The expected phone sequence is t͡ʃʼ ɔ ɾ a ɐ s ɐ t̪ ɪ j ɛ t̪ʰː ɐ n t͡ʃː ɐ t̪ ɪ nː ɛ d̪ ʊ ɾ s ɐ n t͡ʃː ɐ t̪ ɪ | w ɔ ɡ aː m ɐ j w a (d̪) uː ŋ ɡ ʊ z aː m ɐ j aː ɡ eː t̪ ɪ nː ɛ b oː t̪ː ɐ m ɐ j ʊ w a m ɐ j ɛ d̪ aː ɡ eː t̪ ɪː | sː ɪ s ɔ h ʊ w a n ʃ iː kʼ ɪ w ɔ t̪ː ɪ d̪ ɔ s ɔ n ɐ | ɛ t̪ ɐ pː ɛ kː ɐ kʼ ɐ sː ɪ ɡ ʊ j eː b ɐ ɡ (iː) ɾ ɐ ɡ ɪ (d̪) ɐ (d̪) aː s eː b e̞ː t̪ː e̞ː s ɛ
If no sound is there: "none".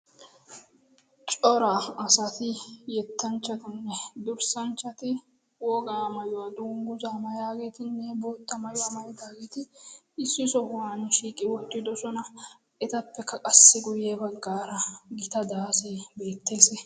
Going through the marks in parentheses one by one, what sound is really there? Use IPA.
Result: d̪, aː, t̪, d̪

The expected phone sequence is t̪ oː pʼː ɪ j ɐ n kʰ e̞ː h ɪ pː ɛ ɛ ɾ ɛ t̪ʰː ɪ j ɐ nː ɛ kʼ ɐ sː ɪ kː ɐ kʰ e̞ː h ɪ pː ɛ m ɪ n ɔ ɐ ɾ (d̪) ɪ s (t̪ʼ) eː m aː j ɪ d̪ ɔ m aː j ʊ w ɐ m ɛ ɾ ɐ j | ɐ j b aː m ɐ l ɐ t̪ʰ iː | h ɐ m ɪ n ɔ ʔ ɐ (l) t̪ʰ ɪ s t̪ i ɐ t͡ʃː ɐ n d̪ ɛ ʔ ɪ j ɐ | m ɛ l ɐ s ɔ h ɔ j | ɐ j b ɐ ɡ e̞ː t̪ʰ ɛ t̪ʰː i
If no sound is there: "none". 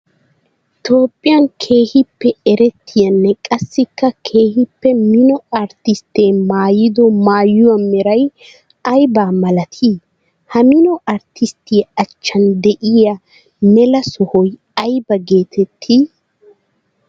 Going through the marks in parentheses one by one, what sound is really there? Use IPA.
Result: t̪, t̪, ɾ

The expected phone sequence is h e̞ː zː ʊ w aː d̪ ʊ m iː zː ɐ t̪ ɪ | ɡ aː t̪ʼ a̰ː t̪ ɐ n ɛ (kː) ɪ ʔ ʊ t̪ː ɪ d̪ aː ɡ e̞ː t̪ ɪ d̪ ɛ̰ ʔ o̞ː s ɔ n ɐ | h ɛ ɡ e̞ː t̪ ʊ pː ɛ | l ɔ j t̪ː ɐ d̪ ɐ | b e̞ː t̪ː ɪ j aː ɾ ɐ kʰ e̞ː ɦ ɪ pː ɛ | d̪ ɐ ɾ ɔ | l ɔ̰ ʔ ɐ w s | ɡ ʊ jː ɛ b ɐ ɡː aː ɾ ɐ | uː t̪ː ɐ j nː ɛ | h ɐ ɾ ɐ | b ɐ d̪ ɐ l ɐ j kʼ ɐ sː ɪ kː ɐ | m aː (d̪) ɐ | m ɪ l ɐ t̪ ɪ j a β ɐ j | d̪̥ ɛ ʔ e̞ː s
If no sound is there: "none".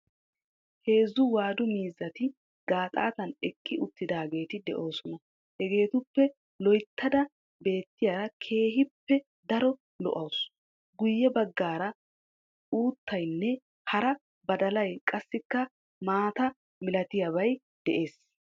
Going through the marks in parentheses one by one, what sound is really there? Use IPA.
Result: kʼː, t̪

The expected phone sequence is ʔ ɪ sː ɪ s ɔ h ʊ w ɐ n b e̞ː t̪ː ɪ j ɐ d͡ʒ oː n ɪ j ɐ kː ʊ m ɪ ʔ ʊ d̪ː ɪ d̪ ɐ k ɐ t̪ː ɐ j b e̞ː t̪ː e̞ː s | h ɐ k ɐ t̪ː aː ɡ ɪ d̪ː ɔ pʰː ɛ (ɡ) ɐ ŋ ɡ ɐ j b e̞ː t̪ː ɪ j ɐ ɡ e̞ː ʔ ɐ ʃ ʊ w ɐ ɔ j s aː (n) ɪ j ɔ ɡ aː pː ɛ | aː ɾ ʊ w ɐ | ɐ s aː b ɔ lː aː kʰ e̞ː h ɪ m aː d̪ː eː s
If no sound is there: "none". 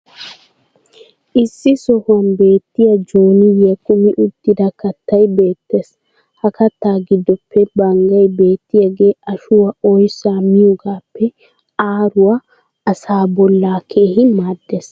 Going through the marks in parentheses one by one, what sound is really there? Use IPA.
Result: b, m

